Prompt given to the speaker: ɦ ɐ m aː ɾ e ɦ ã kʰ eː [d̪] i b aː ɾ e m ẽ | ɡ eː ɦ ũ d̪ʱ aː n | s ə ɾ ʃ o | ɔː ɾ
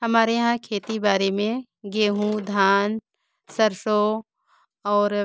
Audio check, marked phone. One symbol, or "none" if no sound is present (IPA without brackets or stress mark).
t̪